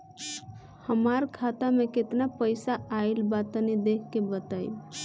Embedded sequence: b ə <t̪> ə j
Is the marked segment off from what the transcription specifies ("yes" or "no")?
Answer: no